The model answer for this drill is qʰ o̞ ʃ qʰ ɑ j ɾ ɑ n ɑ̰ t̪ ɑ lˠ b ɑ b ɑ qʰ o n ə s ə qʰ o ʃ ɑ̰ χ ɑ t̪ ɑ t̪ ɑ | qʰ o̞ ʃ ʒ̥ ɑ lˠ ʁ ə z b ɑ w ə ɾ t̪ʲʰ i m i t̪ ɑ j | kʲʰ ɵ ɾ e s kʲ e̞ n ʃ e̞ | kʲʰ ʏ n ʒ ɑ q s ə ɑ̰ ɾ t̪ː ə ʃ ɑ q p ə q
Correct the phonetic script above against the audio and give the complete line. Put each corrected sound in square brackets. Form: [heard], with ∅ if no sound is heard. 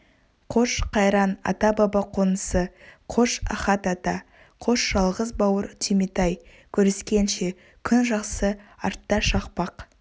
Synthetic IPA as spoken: qʰ o̞ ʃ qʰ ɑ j ɾ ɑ n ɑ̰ t̪ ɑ [∅] b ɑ b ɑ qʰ o n ə s ə qʰ o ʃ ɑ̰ χ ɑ t̪ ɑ t̪ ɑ | qʰ o̞ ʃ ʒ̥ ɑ lˠ ʁ ə z b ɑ w ə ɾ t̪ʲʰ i m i t̪ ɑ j | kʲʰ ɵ ɾ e s kʲ e̞ n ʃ e̞ | kʲʰ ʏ n ʒ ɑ q s ə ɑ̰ ɾ t̪ː [ɑ] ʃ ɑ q p [ɑ] q

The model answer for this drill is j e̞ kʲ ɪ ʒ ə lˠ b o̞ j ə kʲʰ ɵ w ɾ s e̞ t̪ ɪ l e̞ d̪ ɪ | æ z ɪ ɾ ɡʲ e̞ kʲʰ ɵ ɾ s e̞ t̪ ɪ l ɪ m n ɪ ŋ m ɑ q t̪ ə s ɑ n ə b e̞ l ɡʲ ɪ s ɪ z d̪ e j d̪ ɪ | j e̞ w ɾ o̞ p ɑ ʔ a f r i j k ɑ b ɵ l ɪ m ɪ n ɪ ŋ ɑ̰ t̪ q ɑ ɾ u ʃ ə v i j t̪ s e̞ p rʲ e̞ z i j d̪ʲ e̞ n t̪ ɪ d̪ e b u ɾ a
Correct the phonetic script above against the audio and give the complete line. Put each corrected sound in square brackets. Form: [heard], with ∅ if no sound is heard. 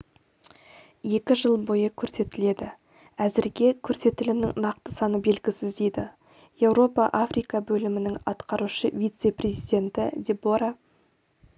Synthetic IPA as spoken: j e̞ kʲ ɪ ʒ ə lˠ b o̞ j ə kʲʰ ɵ [∅] ɾ s e̞ t̪ ɪ l e̞ d̪ ɪ | æ z ɪ ɾ ɡʲ e̞ kʲʰ ɵ ɾ s e̞ t̪ ɪ l ɪ m n ɪ ŋ [n] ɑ q t̪ ə s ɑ n ə b e̞ l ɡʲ ɪ s ɪ z d̪ e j d̪ ɪ | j e̞ w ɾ o̞ p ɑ ʔ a f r i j k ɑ b ɵ l ɪ m ɪ n ɪ ŋ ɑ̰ t̪ q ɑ ɾ u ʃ ə v i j t̪ s e̞ p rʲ e̞ z i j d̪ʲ e̞ n t̪ ɪ d̪ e b [o] ɾ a

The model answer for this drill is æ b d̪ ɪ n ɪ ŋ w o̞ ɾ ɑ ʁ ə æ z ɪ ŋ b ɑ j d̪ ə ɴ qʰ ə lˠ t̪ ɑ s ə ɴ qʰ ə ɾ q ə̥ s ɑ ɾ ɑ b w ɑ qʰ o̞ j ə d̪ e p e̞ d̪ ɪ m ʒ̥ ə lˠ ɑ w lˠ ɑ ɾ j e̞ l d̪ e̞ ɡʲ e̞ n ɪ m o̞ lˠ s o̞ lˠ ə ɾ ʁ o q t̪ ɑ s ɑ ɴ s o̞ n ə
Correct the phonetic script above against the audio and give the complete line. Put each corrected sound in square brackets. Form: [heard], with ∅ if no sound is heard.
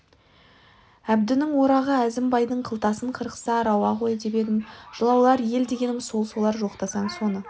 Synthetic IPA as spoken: æ b d̪ ɪ n ɪ ŋ w o̞ ɾ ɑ ʁ ə æ z ɪ [m] b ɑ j d̪ ə ɴ qʰ ə lˠ t̪ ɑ s ə ɴ qʰ ə ɾ q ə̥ s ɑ ɾ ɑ [∅] w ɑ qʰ o̞ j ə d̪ e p e̞ d̪ ɪ m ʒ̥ ə lˠ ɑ w lˠ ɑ ɾ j e̞ l d̪ e̞ ɡʲ e̞ n ɪ m o̞ lˠ s o̞ lˠ [ɑ] ɾ [ʒ] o q t̪ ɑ s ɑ ɴ s o̞ n ə

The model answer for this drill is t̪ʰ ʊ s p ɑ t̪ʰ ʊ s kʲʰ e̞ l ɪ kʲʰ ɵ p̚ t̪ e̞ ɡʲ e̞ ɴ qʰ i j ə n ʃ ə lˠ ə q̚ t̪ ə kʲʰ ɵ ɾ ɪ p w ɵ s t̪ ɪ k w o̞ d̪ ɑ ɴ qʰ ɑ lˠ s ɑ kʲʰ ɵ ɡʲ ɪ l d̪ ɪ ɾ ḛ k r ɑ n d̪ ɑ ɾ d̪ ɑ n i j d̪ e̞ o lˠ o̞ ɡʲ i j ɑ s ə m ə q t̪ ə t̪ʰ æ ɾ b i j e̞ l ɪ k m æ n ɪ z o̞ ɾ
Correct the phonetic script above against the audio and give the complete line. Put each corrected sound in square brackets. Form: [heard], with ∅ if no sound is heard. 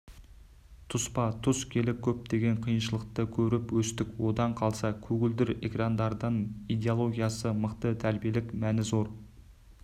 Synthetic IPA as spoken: t̪ʰ ʊ s p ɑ t̪ʰ ʊ s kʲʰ e̞ l ɪ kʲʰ ɵ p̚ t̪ e̞ ɡʲ e̞ ɴ qʰ i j ə n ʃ ə lˠ ə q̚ t̪ ə kʲʰ ɵ ɾ ɪ p w ɵ s t̪ ɪ k w o̞ d̪ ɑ ɴ qʰ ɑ lˠ s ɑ kʲʰ ɵ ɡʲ ɪ l d̪ ɪ ɾ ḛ k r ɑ n d̪ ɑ ɾ d̪ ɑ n i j d̪ e̞ o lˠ o̞ ɡʲ i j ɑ s ə m ə q t̪ ə t̪ʰ æ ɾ b i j e̞ l ɪ k m æ n ɪ z o̞ ɾ

